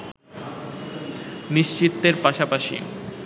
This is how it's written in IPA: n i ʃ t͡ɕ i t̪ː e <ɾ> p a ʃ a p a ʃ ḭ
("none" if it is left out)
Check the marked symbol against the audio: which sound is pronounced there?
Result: ɾ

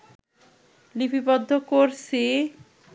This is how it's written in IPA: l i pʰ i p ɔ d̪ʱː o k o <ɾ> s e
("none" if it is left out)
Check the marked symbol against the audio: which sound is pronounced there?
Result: ɾ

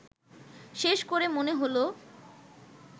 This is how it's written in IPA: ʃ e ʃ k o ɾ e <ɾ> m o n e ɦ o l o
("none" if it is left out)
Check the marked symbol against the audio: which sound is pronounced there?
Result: none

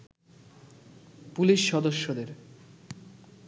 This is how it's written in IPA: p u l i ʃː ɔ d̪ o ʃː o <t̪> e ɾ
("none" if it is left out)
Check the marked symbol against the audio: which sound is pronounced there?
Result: d̪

